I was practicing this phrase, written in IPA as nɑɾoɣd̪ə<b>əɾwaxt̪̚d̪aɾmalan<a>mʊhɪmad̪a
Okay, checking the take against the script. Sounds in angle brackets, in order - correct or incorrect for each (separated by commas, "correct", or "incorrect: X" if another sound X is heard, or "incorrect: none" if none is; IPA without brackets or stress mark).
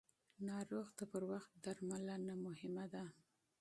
incorrect: p, correct